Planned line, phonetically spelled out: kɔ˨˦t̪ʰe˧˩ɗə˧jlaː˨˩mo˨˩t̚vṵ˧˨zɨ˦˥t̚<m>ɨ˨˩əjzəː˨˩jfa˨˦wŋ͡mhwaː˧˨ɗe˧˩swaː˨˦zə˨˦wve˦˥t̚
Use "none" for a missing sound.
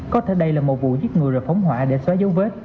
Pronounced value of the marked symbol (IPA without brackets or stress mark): ŋ